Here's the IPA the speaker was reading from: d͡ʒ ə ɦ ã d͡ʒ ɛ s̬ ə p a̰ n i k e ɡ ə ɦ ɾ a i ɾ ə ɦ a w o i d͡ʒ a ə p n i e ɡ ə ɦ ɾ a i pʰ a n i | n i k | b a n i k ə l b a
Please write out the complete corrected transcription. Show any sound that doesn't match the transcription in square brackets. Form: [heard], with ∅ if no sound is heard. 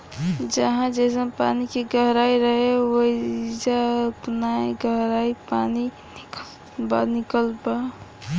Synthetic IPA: d͡ʒ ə ɦ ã d͡ʒ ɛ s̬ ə p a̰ n i k e ɡ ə ɦ ɾ a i ɾ ə ɦ [e] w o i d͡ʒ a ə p n [a] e ɡ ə ɦ ɾ a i [p] a n i | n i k | b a n i k ə l b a